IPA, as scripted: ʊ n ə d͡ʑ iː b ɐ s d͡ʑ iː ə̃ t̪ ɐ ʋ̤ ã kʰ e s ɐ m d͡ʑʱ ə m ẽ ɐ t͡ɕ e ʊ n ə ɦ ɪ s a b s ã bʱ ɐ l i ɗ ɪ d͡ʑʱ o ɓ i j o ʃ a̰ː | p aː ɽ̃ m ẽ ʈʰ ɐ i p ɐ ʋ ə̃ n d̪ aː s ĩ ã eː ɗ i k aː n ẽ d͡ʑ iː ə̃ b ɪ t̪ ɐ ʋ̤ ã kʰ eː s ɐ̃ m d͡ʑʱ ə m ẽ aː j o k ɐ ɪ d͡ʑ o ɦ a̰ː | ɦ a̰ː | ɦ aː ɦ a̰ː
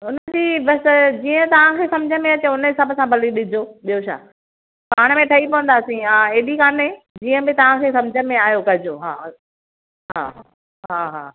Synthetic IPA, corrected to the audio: ʊ n ə d͡ʑ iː b ɐ s d͡ʑ iː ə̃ t̪ ɐ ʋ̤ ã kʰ e s ɐ m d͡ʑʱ ə m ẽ ɐ t͡ɕ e ʊ n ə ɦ ɪ s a b s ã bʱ ɐ l i ɗ ɪ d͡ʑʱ o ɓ i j o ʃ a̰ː | p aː ɽ̃ m ẽ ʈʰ ɐ i p ɐ ʋ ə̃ n d̪ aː s ĩ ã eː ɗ i k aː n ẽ d͡ʑ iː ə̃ b ɪ t̪ ɐ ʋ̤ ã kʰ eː s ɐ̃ m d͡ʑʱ ə m ẽ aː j o k ɐ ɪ d͡ʑ o ɦ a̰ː | ɦ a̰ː | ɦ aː ɦ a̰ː